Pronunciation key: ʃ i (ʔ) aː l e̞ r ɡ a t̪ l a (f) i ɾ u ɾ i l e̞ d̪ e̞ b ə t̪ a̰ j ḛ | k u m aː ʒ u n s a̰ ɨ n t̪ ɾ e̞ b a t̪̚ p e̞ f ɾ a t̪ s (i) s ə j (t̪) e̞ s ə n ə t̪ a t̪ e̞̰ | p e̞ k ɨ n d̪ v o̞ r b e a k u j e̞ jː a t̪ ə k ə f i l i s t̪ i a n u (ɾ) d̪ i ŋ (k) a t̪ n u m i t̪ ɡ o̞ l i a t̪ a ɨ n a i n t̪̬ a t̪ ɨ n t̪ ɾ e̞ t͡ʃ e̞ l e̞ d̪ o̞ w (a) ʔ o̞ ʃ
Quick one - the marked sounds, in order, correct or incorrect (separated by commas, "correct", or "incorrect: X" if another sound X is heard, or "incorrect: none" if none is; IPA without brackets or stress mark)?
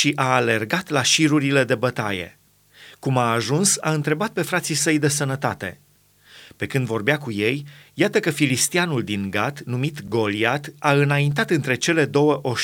correct, incorrect: ʃ, correct, incorrect: d̪, incorrect: l, incorrect: ɡ, incorrect: ə